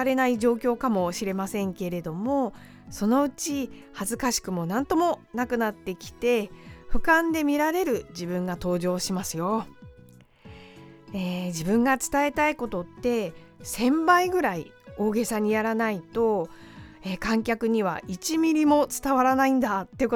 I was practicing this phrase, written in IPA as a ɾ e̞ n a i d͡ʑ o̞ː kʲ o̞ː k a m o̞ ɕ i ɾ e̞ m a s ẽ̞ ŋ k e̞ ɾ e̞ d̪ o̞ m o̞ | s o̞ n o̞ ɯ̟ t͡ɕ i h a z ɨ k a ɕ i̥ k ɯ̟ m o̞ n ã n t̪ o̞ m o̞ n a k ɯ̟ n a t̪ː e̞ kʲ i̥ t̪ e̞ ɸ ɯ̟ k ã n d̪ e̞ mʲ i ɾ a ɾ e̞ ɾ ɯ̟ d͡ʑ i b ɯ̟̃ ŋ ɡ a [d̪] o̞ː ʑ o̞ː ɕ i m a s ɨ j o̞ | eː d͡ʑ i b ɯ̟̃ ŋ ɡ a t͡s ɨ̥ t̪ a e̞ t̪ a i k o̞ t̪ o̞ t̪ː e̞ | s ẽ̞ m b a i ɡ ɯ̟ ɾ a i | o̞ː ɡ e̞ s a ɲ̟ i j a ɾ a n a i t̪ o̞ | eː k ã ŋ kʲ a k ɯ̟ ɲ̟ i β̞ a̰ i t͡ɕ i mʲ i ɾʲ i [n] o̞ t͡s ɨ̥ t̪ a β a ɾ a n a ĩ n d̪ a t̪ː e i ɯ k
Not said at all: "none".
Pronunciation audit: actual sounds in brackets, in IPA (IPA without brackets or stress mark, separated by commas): t̪, m